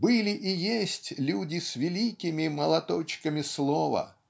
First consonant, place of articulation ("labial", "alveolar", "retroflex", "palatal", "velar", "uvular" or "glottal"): labial